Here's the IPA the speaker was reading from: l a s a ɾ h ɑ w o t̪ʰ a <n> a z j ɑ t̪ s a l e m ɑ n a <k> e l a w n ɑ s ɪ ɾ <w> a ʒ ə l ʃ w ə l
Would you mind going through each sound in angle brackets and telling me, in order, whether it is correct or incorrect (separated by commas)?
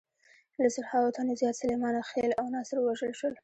correct, incorrect, correct